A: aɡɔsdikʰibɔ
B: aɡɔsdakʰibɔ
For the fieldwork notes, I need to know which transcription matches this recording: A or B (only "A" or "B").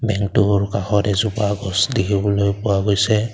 A